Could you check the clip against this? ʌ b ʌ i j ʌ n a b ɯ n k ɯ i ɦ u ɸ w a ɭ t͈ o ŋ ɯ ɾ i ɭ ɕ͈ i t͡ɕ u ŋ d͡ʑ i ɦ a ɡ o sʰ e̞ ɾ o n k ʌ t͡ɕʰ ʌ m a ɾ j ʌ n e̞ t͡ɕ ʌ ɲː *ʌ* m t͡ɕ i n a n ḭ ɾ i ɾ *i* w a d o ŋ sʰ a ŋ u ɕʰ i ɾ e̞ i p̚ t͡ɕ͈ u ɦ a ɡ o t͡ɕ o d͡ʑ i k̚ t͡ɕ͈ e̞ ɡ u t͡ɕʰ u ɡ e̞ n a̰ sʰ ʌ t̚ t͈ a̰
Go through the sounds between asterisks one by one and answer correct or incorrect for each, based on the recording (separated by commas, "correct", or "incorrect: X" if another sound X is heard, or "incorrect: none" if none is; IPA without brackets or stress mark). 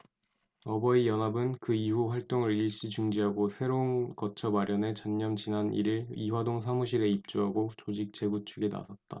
correct, correct